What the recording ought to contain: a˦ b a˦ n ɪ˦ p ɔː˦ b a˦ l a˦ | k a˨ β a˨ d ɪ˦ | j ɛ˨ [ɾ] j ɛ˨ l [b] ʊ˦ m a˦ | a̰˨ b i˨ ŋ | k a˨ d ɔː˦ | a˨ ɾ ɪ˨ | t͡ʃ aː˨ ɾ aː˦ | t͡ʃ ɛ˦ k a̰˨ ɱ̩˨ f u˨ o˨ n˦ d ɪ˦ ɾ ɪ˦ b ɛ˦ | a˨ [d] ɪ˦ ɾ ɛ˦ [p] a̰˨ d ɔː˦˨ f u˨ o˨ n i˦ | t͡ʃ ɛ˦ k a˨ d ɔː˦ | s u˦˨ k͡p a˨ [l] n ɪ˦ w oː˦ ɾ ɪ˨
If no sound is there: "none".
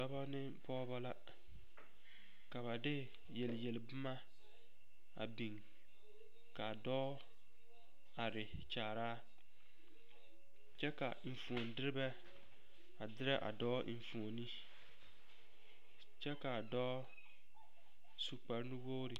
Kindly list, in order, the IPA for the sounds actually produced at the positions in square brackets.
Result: l, b, d, ʔ, ɾ

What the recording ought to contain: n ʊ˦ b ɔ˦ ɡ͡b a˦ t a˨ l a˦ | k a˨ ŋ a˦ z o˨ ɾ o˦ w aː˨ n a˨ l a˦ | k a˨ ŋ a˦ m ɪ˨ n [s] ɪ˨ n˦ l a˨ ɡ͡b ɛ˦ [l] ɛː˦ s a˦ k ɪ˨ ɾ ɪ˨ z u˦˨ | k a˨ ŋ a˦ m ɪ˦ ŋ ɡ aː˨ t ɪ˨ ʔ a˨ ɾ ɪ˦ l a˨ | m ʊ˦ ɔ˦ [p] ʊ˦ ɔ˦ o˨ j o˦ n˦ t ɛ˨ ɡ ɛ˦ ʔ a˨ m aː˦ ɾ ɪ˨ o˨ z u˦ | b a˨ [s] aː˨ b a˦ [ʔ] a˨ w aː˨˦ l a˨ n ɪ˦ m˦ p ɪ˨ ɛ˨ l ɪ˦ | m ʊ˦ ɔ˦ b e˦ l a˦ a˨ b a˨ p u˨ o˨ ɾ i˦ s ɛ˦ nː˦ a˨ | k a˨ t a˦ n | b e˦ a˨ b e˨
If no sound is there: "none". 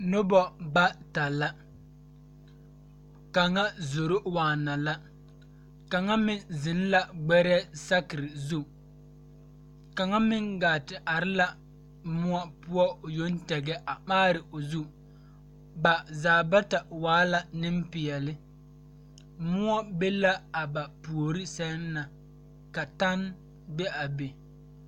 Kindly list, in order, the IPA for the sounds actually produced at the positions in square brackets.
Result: z, ɾ, p, z, t

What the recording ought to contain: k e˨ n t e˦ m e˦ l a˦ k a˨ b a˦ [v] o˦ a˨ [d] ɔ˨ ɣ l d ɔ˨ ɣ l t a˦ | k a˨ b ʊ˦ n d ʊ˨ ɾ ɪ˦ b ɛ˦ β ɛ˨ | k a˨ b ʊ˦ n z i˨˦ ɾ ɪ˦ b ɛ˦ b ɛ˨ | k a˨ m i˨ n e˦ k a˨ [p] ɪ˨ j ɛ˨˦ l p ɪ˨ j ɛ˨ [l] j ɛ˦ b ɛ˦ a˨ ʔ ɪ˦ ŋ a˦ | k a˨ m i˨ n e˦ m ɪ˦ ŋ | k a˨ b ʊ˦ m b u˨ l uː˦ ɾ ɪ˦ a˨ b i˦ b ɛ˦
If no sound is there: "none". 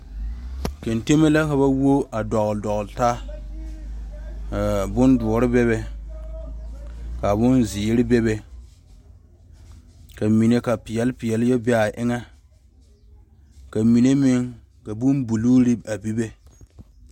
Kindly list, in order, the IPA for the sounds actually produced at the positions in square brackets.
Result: w, d, p, l

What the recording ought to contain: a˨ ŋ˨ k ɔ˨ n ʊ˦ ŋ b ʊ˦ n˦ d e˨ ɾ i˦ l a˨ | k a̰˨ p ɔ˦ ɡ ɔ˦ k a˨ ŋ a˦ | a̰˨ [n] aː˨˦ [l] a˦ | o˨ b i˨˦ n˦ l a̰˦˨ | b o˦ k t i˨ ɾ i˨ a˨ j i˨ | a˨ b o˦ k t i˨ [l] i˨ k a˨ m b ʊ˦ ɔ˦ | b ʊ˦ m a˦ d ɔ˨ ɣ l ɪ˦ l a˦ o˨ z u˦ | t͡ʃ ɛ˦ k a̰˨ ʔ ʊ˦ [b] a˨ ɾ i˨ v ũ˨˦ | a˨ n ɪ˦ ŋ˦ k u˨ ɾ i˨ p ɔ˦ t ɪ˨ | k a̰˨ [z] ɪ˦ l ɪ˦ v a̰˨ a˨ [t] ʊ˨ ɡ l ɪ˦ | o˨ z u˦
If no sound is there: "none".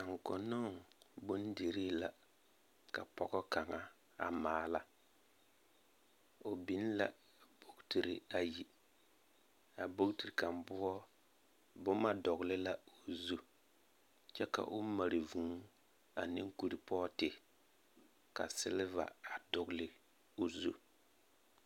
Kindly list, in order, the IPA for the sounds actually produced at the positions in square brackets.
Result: m, l, ɾ, m, s, d

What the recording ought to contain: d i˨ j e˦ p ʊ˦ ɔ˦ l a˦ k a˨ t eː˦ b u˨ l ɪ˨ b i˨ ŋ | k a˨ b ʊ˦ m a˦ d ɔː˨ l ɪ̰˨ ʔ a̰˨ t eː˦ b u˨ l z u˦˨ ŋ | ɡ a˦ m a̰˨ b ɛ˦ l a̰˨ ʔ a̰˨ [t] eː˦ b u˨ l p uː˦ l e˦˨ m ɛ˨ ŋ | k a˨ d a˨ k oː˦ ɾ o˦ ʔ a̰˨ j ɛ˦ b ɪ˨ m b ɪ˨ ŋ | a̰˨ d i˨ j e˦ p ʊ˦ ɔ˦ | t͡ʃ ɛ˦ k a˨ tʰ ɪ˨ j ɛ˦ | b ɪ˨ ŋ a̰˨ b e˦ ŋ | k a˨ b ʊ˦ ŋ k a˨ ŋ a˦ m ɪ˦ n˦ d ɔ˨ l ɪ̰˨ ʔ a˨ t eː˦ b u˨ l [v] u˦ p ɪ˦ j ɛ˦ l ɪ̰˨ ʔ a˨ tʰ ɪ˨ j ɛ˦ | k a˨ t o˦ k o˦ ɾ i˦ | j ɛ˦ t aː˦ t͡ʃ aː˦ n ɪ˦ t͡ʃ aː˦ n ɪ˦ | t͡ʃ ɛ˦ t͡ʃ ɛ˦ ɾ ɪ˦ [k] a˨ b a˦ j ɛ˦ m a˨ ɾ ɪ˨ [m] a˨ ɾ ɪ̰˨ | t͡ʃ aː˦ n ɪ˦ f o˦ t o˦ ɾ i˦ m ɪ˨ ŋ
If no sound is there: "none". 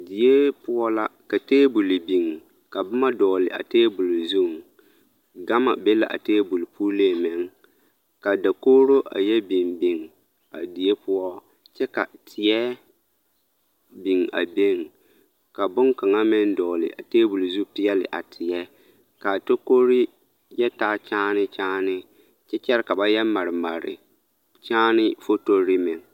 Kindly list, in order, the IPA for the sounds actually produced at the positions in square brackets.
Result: t, z, k, m

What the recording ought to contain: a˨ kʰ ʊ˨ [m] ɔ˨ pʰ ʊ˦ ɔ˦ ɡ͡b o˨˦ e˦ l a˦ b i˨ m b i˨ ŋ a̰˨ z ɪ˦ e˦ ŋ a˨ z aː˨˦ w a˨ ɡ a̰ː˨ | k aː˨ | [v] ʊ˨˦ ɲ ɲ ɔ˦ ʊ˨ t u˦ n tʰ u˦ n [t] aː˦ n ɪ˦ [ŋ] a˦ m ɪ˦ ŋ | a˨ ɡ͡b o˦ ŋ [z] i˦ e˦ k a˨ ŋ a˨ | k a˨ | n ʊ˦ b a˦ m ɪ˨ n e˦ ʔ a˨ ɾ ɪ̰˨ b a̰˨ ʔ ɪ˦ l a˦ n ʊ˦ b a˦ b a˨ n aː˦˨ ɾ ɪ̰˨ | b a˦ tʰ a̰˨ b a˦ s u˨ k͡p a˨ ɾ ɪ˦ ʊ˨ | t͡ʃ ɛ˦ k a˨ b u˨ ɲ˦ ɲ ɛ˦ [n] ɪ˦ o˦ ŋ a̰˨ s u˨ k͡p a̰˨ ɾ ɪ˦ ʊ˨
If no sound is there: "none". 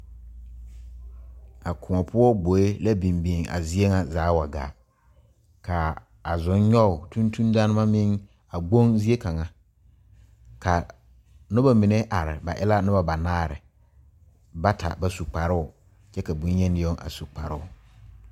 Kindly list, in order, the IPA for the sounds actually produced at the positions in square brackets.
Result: ŋ, z, d, m, z, n

